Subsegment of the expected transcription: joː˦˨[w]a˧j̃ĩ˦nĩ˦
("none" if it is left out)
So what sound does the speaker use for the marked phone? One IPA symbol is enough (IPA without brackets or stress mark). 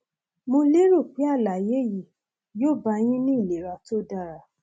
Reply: b